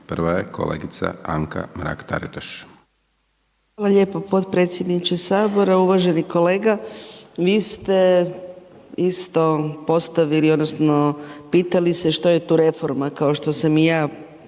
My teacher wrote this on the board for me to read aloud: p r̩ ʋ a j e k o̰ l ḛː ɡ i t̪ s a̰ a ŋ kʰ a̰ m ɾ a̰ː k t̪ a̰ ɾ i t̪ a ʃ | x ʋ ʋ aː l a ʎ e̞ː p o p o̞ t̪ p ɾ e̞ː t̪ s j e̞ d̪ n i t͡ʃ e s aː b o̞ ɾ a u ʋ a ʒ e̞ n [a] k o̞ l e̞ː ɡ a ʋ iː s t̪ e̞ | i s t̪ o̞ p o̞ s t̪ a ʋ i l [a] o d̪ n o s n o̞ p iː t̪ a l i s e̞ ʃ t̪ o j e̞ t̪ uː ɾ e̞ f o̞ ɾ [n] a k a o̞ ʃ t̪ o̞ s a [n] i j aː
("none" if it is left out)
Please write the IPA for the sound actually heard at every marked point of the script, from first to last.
i, i, m, m

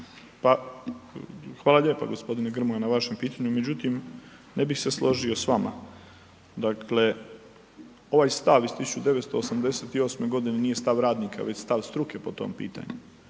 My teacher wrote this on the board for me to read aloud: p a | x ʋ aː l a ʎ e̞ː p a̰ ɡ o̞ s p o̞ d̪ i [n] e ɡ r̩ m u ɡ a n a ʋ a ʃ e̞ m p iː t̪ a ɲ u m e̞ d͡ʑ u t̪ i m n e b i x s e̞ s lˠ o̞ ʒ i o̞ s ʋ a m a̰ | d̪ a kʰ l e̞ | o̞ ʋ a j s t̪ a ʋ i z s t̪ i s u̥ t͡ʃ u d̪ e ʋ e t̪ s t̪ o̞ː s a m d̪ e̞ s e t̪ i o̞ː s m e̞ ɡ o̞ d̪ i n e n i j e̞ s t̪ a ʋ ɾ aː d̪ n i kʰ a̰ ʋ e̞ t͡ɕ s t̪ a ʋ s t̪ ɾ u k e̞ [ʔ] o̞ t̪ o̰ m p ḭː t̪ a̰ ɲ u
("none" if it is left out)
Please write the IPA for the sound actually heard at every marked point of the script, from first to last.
n, p

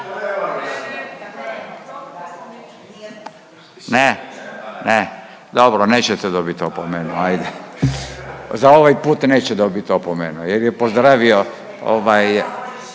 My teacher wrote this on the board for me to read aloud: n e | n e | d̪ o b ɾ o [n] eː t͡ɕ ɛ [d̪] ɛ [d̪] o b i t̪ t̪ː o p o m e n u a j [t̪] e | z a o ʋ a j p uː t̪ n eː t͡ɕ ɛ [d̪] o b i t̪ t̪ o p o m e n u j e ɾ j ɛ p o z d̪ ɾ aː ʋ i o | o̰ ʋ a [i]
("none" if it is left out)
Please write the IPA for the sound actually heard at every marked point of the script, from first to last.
n, t̪, d̪, d̪, d̪, j

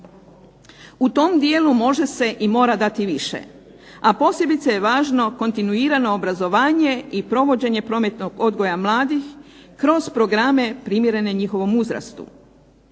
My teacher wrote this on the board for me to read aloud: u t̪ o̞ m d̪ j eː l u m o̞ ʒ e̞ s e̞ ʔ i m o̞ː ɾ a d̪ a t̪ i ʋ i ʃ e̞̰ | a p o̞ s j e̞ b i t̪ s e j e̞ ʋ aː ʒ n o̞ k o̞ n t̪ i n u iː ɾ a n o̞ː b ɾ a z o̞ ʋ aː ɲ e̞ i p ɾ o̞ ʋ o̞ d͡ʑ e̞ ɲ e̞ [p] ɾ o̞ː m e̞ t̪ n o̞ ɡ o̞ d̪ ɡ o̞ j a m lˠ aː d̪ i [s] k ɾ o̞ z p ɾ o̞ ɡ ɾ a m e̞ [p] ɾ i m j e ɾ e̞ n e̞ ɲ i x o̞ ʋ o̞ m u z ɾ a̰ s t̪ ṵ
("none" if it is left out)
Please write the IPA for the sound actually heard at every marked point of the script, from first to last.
p, x, p

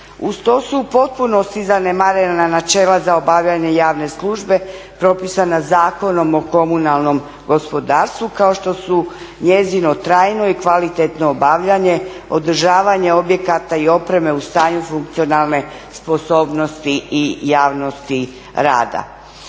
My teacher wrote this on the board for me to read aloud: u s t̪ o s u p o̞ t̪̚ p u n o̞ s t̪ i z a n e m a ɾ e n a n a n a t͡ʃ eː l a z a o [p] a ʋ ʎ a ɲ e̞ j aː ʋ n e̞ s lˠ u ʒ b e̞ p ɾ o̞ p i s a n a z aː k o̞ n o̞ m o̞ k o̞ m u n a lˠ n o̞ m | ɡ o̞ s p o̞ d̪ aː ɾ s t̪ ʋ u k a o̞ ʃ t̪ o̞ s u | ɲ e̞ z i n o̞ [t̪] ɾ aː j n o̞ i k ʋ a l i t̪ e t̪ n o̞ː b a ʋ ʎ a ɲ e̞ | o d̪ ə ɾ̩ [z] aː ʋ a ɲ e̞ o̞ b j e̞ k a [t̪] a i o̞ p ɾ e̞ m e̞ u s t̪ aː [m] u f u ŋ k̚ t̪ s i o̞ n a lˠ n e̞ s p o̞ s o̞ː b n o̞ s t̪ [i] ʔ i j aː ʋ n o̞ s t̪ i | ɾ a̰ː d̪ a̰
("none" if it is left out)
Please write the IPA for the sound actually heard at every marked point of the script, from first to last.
b, t̪, ʒ, t̪, ɲ, i

